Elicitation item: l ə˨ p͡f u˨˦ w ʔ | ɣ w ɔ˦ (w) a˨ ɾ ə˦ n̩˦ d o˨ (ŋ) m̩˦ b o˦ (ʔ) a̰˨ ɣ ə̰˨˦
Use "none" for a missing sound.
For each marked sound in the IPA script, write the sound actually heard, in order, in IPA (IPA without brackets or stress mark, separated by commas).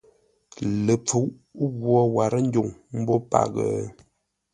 w, ŋ, p